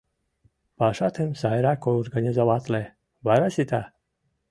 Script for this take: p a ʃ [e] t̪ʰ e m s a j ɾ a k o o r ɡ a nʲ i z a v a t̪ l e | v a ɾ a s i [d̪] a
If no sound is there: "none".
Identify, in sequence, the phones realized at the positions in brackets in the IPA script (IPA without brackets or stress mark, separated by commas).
a, t̪